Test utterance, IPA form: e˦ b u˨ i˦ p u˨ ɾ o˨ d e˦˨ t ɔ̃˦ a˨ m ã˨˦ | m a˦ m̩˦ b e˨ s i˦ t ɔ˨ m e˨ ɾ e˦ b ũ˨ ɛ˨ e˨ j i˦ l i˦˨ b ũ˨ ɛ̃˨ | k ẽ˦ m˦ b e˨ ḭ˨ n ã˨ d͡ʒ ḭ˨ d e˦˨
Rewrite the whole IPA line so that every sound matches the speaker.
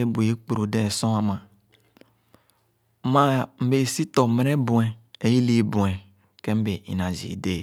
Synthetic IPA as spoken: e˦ b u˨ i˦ k͡p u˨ ɾ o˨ d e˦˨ s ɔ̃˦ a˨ m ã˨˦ | m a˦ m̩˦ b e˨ s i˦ t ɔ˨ m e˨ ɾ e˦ b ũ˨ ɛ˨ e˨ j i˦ l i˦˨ b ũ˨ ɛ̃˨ | k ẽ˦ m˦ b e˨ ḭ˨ n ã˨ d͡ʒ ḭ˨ d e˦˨